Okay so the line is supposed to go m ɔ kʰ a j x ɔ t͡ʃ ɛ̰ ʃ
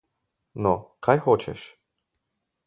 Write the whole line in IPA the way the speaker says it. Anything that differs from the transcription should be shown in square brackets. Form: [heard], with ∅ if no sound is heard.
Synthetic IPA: [n] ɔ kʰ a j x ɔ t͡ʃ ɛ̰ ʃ